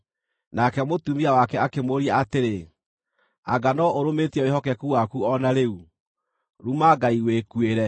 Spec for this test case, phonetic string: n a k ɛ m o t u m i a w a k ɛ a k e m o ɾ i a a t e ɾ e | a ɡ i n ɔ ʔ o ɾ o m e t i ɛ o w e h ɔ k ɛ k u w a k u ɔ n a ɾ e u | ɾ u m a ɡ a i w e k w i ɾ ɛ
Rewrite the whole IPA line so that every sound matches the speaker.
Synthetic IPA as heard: n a k ɛ m o t u m i a w a k ɛ a k e m o ɾ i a a t e ɾ e | a ɡ a n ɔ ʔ o ɾ o m e t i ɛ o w e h ɔ k ɛ k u w a k u ɔ n a ɾ e u | ɾ u m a ɡ a i w e k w e ɾ ɛ